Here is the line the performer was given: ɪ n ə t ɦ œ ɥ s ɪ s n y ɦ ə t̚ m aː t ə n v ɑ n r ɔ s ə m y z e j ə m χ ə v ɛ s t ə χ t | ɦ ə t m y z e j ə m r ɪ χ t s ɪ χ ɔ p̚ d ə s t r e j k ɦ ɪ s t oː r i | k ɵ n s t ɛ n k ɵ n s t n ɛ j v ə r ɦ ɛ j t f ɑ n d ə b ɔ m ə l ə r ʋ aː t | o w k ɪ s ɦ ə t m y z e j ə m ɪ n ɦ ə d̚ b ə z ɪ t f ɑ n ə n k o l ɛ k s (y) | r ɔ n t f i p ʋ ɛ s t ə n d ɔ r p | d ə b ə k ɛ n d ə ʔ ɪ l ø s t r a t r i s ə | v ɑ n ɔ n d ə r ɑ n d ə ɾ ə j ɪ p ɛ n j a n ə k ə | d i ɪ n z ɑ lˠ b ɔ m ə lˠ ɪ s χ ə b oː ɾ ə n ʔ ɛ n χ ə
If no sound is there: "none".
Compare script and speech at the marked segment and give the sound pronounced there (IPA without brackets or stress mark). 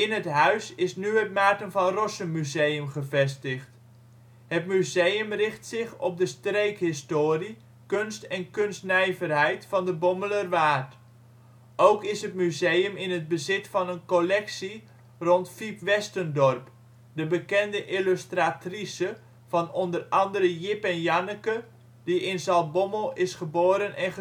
i